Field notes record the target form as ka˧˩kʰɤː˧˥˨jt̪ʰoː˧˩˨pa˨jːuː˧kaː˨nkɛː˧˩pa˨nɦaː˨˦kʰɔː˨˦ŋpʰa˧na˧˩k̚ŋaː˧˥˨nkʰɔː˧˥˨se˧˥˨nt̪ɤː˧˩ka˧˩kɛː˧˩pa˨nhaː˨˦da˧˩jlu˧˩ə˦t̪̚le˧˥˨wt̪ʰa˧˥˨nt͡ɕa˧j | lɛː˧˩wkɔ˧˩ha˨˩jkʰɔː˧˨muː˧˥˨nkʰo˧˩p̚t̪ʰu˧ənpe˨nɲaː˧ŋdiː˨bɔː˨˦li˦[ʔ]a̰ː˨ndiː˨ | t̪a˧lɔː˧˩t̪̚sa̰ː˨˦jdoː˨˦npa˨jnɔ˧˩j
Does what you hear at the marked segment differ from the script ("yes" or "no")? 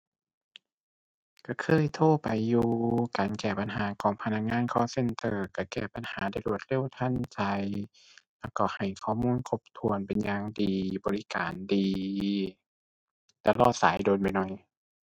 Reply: yes